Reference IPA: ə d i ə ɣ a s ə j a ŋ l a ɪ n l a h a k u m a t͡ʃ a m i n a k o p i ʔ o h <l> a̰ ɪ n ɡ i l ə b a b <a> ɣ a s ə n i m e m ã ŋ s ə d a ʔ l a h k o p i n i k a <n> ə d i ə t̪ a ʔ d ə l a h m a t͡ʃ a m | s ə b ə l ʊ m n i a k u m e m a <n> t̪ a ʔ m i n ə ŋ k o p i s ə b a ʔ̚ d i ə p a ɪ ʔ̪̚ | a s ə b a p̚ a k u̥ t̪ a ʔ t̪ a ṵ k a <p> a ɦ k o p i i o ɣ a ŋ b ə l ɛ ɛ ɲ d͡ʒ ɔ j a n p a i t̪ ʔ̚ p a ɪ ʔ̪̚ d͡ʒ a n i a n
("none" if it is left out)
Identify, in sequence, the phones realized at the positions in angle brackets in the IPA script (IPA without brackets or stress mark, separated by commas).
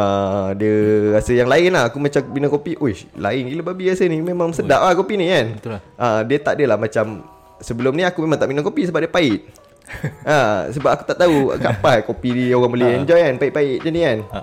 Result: l, i, n, ŋ, p